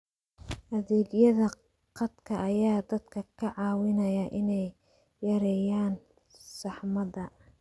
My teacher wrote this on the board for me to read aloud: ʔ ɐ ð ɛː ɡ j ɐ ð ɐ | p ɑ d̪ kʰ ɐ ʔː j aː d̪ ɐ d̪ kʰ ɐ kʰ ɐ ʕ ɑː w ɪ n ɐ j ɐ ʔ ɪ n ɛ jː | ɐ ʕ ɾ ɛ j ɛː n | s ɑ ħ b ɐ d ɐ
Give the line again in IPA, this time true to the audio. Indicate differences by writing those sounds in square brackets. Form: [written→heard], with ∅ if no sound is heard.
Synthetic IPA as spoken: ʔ ɐ ð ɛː ɡ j ɐ ð ɐ | [p→q] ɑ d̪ kʰ ɐ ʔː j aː d̪ ɐ d̪ kʰ ɐ kʰ ɐ ʕ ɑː w ɪ n ɐ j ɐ ʔ ɪ n ɛ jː | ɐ [ʕ→∅] ɾ ɛ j [ɛː→aː] n | s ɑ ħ [b→m] ɐ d ɐ

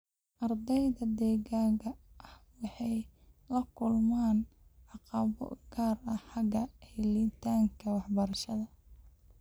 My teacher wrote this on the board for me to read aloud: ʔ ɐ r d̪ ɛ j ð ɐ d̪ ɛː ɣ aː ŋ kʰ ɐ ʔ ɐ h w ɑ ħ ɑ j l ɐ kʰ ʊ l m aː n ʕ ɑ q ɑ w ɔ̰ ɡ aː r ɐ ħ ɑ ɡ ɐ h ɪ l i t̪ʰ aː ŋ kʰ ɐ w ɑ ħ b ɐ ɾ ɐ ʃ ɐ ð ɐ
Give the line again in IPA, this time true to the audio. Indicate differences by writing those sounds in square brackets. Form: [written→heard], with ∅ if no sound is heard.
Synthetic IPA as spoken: ʔ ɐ r d̪ ɛ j ð ɐ d̪ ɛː ɣ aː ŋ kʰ ɐ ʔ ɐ h w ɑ ħ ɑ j l ɐ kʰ ʊ l m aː n ʕ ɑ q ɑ [w→β] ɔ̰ ɡ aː r ɐ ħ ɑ ɡ ɐ h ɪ l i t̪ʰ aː ŋ kʰ ɐ w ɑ ħ b ɐ ɾ ɐ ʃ ɐ ð ɐ

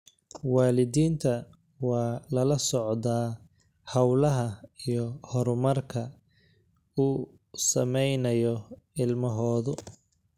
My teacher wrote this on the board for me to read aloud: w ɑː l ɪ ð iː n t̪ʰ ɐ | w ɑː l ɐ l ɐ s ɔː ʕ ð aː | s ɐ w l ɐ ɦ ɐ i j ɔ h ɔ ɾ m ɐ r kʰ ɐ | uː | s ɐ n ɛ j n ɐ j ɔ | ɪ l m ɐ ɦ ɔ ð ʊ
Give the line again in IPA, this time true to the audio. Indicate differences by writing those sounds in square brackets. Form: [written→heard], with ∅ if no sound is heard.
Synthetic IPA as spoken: w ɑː l ɪ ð iː n t̪ʰ ɐ | w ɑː l ɐ l ɐ s [ɔː→ɔ] ʕ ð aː | [s→h] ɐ w l ɐ ɦ ɐ i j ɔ h ɔ ɾ m ɐ r kʰ ɐ | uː | s ɐ [n→m] ɛ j n ɐ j ɔ | ɪ l m ɐ ɦ [ɔ→ɔː] ð ʊ

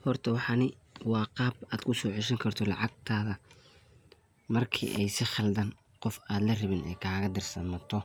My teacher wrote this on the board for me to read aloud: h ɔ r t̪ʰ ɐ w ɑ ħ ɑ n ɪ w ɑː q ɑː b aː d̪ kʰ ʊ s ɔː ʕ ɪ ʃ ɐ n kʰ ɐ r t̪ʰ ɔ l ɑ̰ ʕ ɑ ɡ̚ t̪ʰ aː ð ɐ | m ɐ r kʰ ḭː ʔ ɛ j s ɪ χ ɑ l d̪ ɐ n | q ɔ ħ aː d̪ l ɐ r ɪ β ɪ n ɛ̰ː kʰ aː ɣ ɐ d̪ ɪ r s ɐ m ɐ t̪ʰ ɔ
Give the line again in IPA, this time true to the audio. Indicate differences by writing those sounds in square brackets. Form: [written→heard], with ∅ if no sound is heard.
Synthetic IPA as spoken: h ɔ r t̪ʰ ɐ w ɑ ħ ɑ n ɪ w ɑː q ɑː b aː d̪ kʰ ʊ s ɔː ʕ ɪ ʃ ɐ [n→ŋ] kʰ ɐ r t̪ʰ ɔ l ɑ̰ ʕ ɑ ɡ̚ t̪ʰ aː ð ɐ | m ɐ r kʰ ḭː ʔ ɛ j s ɪ χ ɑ l d̪ ɐ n | q ɔ [ħ→f] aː d̪ l ɐ r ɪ β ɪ n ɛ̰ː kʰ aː ɣ ɐ d̪ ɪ r s ɐ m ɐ t̪ʰ ɔ

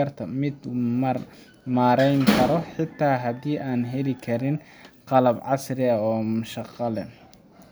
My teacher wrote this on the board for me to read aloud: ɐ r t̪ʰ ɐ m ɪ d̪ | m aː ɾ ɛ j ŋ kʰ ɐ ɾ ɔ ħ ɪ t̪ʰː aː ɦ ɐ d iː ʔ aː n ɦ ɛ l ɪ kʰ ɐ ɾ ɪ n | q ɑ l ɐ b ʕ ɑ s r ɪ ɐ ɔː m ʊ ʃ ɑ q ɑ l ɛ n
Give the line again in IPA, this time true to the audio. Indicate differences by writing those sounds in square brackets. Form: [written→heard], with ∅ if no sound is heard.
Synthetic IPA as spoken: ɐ r t̪ʰ ɐ m ɪ d̪ | m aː ɾ ɛ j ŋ kʰ ɐ ɾ ɔ ħ ɪ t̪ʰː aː ɦ ɐ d iː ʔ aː n ɦ ɛ l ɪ kʰ ɐ ɾ ɪ n | q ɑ l ɐ b ʕ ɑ s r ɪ ɐ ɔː m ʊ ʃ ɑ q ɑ l ɛ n

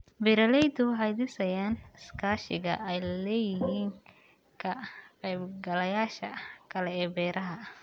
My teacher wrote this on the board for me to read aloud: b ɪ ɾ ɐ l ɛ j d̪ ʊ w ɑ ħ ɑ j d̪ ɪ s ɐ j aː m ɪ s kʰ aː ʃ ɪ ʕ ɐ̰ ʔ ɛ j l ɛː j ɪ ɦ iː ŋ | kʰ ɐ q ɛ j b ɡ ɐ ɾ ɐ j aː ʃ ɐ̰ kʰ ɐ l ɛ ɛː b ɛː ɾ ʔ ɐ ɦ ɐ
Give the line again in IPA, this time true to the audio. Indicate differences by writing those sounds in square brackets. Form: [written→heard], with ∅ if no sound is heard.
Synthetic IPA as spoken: b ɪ ɾ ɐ l ɛ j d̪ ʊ w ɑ ħ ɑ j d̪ ɪ s ɐ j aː [m→n] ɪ s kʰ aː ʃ ɪ [ʕ→ɣ] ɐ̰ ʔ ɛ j l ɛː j ɪ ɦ iː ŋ | kʰ ɐ q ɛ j b ɡ ɐ [ɾ→l] ɐ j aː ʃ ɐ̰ kʰ ɐ l ɛ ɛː b ɛː ɾ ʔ ɐ ɦ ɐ

